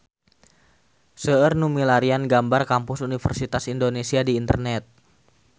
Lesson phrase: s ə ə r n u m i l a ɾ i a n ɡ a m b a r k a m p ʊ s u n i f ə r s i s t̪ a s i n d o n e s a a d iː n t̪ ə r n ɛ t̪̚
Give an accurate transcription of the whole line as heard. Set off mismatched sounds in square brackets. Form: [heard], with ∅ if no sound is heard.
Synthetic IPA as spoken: s ə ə r n u m i l a ɾ i a n ɡ a m b a r k a m p ʊ s u n i f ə r s i [∅] t̪ a s i n d o n e s [i] a d iː n t̪ ə r n ɛ t̪̚